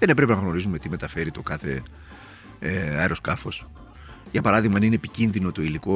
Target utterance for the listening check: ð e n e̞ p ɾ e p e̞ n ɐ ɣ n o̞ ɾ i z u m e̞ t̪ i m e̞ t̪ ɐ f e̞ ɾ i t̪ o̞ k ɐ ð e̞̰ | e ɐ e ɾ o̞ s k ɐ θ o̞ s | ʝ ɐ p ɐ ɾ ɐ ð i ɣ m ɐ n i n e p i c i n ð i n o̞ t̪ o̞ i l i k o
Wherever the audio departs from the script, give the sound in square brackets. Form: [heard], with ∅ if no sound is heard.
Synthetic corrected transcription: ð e n e̞ p ɾ e p e̞ n ɐ ɣ n o̞ ɾ i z u m e̞ t̪ i m e̞ t̪ ɐ f e̞ ɾ i t̪ o̞ k ɐ [θ] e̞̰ | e ɐ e ɾ o̞ s k ɐ [f] o̞ s | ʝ ɐ p ɐ ɾ ɐ ð i ɣ m ɐ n i n e p i c i n ð i n o̞ t̪ o̞ i l i k o